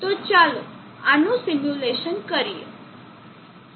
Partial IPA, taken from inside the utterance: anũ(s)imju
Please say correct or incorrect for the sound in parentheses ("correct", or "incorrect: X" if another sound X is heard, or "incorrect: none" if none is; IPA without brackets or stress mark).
correct